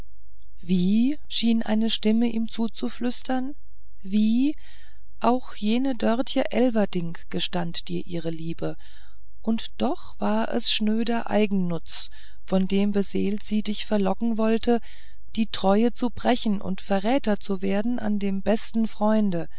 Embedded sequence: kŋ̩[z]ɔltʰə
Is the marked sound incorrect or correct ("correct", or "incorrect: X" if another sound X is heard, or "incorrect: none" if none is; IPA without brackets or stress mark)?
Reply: incorrect: v